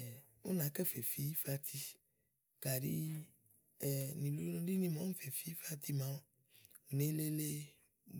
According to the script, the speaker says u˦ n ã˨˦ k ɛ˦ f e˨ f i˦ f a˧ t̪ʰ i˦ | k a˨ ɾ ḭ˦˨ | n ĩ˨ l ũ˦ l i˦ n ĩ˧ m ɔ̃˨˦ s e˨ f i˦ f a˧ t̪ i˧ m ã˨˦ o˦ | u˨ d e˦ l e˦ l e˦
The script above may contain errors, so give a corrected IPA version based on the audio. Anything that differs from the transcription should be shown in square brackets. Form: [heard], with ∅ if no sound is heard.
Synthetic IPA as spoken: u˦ n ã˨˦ k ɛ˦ f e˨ f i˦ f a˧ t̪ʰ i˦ | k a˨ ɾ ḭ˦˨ | n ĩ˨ l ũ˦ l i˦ n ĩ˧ m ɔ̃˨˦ [f] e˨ f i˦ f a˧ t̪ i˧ m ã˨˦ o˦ | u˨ [n] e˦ l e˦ l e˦